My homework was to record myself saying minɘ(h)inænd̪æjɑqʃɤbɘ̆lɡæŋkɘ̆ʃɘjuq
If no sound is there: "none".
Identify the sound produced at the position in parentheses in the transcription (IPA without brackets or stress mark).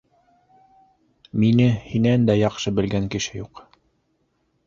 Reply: h